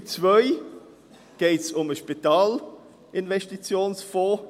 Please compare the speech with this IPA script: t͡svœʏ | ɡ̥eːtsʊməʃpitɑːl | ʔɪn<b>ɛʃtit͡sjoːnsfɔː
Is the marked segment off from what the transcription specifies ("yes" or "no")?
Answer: yes